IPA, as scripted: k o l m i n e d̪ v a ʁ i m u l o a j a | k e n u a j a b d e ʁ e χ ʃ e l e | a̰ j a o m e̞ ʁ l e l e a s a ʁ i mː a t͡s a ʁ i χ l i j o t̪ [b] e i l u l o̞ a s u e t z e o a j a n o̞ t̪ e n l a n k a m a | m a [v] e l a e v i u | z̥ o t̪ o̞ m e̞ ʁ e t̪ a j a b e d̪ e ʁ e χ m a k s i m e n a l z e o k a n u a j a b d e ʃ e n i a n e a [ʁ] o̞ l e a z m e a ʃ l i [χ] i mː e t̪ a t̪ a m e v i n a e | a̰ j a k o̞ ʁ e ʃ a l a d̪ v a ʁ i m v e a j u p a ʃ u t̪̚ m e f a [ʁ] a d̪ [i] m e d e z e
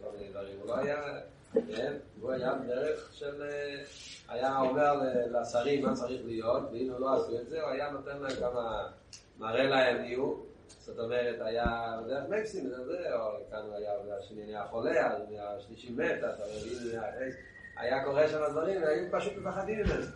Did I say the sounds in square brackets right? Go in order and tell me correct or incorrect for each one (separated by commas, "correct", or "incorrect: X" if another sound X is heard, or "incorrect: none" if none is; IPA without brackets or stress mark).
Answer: incorrect: v, incorrect: ʁ, incorrect: χ, incorrect: ʃ, incorrect: χ, correct